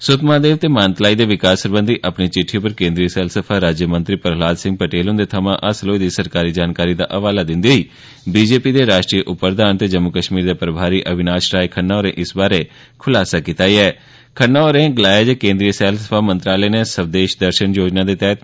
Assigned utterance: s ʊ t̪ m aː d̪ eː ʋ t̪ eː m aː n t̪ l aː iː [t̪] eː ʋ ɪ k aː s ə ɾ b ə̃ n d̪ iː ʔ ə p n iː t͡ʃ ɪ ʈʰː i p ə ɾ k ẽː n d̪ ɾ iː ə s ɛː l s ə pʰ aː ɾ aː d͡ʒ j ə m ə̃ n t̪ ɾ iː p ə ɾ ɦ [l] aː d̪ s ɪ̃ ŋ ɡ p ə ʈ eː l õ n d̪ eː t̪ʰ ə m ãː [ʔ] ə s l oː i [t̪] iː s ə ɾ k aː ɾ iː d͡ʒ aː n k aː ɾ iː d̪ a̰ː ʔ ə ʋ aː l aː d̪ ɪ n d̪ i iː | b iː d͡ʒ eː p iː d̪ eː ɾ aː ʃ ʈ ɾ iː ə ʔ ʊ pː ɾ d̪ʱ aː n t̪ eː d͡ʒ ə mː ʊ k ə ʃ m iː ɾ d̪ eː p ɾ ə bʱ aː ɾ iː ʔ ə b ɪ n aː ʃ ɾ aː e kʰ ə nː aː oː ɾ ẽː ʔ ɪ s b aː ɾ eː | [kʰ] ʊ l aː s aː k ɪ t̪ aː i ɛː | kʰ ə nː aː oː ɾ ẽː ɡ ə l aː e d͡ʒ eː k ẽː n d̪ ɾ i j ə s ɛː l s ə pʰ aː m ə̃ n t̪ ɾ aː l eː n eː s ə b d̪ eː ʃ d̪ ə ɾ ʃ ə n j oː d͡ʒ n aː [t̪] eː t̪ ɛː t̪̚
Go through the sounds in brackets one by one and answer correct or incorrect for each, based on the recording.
incorrect, correct, correct, incorrect, correct, incorrect

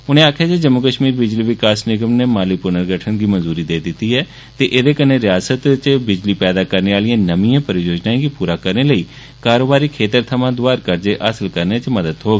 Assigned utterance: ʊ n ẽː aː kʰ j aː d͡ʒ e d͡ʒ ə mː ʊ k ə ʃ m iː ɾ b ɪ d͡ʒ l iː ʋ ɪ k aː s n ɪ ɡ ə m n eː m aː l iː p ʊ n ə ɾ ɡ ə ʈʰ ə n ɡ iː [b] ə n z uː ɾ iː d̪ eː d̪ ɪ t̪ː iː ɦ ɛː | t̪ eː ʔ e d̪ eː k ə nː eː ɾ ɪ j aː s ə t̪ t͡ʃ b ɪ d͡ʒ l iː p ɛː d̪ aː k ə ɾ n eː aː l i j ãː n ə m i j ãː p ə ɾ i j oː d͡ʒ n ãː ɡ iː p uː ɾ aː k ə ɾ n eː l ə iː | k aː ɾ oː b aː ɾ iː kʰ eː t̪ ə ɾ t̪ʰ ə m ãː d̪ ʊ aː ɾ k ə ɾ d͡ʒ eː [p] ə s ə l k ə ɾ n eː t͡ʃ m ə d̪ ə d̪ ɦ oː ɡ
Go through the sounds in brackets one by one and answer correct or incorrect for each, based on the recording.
incorrect, incorrect

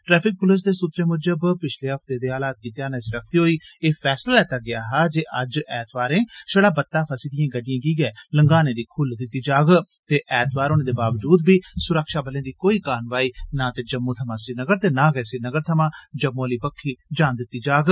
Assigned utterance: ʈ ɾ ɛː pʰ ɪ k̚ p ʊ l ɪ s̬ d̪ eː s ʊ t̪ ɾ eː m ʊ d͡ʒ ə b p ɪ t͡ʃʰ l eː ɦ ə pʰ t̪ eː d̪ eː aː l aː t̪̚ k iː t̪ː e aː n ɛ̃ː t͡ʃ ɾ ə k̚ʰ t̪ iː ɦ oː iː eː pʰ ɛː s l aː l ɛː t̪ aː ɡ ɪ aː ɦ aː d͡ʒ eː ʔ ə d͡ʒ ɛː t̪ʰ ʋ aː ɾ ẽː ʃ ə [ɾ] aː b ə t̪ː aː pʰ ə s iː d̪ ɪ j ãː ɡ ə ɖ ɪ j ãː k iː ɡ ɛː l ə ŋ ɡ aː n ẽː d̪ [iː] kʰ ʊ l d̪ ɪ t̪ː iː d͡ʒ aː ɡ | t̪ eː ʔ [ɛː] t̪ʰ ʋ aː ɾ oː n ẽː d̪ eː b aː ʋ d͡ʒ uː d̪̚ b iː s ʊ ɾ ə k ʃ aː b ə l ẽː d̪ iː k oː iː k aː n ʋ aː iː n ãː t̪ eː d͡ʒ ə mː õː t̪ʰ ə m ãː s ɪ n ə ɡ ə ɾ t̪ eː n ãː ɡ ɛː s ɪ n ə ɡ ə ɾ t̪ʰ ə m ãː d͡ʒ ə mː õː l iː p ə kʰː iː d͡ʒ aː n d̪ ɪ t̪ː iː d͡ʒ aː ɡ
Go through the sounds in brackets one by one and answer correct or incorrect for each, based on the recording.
incorrect, correct, correct

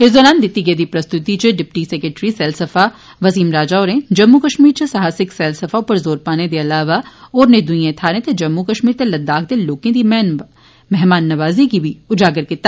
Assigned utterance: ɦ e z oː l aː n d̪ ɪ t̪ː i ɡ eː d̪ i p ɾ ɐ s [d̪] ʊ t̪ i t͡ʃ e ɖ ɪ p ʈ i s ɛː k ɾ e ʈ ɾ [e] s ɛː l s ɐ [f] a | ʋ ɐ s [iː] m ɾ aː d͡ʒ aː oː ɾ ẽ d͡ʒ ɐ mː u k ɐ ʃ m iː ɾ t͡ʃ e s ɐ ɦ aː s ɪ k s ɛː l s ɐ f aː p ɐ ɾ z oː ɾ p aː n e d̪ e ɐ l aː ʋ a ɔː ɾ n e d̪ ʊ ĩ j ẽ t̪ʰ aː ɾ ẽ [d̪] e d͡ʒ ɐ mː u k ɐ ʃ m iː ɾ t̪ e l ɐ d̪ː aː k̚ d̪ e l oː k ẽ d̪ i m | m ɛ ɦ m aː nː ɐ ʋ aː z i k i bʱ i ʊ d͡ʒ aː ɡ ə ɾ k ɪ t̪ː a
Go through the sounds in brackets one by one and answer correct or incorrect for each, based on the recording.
incorrect, incorrect, correct, correct, incorrect

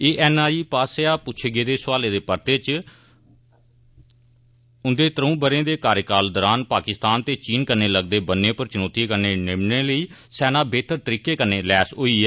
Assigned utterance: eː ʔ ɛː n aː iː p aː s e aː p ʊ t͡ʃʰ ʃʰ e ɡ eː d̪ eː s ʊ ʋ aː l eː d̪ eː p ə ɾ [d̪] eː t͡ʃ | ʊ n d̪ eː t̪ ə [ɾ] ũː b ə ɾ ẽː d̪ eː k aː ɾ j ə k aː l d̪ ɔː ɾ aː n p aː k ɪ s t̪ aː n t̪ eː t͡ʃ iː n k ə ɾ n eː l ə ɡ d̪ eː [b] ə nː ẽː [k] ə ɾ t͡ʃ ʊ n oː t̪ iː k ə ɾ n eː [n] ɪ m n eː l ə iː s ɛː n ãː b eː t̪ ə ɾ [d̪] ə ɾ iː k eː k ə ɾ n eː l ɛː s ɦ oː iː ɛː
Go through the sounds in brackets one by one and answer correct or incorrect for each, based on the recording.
incorrect, correct, correct, incorrect, correct, incorrect

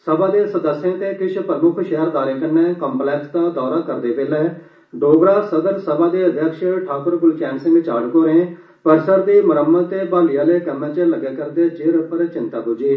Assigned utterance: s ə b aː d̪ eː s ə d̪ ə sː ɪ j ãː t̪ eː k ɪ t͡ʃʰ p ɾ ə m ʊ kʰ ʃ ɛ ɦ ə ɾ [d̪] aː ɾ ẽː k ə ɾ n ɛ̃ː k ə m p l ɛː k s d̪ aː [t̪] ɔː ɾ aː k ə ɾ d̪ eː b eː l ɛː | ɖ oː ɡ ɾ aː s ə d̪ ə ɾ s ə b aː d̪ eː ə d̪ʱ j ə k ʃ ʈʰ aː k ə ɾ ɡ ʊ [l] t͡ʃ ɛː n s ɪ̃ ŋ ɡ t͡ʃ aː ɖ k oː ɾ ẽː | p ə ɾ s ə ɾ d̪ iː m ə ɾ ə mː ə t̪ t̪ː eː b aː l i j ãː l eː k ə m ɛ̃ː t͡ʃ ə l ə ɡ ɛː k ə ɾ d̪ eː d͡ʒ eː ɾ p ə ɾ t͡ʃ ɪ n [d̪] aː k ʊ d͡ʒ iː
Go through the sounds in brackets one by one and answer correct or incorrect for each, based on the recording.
correct, incorrect, correct, incorrect

